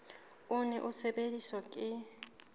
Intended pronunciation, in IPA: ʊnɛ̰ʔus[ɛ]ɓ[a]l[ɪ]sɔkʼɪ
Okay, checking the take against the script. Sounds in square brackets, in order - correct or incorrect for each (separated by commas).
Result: correct, incorrect, incorrect